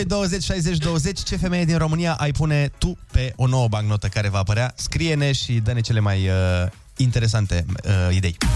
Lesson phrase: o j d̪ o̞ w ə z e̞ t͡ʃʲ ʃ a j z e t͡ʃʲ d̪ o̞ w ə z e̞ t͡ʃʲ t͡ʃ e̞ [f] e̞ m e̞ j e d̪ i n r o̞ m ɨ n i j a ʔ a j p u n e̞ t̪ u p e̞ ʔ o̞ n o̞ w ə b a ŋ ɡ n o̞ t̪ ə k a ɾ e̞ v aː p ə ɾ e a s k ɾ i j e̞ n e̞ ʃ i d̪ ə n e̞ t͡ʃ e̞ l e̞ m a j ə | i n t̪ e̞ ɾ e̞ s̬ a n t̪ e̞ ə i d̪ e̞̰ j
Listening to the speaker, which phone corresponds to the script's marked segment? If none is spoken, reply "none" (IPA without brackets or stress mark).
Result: f